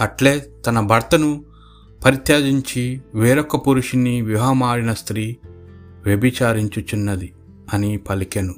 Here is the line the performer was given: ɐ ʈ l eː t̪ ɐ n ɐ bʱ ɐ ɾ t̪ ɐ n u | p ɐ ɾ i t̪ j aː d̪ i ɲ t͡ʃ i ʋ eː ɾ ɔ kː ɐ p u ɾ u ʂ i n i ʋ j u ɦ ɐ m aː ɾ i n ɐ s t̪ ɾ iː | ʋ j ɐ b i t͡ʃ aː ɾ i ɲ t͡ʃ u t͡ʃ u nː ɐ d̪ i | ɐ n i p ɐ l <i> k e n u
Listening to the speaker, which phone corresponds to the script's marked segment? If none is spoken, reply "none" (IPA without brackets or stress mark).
i